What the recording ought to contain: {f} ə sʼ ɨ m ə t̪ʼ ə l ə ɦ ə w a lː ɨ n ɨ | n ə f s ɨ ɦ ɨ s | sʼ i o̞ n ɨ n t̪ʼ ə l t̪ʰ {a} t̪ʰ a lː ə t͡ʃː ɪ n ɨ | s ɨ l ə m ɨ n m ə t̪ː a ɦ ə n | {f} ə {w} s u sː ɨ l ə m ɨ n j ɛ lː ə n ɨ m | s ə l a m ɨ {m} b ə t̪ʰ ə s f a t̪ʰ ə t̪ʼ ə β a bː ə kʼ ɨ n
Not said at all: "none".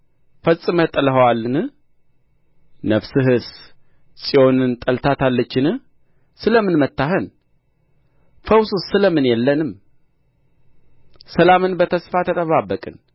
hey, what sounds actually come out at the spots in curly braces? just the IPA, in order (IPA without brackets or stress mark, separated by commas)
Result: f, a, f, w, n